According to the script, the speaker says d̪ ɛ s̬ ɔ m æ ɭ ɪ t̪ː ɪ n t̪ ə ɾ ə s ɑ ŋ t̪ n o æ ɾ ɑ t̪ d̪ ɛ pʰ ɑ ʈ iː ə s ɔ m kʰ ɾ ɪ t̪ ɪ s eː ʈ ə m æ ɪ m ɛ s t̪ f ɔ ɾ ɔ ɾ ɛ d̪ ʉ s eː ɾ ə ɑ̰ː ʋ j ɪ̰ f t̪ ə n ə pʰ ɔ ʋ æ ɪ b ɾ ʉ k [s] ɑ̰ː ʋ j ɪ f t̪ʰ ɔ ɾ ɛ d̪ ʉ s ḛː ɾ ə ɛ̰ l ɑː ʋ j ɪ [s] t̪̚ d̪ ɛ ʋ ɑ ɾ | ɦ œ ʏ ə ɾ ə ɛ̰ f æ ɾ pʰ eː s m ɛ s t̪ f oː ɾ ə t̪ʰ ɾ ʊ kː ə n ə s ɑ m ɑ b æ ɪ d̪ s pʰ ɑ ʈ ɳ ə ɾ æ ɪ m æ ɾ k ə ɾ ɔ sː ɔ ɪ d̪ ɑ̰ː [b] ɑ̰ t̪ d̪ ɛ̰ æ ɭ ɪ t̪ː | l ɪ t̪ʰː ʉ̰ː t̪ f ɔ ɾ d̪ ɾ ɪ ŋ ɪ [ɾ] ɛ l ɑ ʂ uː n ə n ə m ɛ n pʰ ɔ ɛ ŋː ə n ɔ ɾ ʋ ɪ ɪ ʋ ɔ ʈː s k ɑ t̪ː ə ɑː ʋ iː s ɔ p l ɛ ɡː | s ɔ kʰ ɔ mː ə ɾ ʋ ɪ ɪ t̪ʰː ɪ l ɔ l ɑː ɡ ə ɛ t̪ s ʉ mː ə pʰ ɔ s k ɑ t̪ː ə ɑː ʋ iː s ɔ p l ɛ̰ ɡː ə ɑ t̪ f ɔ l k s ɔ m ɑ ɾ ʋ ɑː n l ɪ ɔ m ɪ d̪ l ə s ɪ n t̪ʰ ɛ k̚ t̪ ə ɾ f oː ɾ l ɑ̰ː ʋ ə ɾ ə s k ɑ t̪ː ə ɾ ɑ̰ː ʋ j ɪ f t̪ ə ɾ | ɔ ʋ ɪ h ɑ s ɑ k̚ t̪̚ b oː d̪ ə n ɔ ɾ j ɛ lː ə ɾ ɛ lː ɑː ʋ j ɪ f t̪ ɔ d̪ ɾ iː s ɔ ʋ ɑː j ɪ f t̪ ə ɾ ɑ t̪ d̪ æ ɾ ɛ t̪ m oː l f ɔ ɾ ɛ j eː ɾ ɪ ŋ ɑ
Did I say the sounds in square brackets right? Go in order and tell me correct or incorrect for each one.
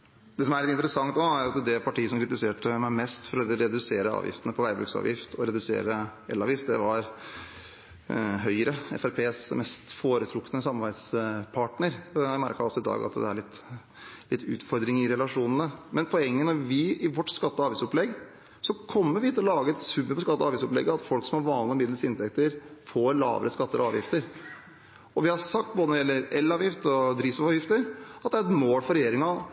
correct, incorrect: f, incorrect: ɡ, correct

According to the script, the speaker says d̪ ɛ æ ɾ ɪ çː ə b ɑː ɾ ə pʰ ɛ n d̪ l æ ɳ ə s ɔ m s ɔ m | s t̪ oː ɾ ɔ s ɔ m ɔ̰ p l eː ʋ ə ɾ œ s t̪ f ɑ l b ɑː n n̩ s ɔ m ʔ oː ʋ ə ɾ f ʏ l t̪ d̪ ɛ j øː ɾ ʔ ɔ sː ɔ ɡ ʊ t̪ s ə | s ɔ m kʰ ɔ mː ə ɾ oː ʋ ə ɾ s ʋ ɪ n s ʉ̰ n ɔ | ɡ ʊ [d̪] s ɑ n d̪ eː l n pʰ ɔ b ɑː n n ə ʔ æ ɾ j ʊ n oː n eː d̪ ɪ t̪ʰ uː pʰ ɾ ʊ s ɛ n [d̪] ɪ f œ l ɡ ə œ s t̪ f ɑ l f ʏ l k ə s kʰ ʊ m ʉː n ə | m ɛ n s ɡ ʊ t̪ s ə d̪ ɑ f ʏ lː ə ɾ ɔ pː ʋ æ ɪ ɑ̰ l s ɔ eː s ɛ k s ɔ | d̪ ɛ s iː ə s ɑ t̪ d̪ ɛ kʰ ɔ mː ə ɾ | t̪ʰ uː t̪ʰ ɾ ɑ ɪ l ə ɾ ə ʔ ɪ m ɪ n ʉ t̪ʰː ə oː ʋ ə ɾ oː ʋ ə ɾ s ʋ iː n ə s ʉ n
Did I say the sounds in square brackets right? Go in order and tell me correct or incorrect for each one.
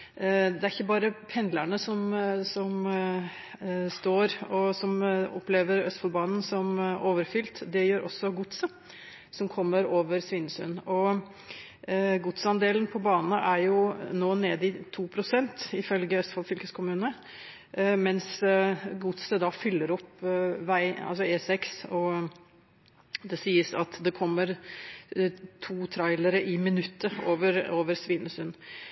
incorrect: t̪, incorrect: t̪

